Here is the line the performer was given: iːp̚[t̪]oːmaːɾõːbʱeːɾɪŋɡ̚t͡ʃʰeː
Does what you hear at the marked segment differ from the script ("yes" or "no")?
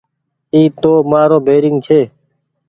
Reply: no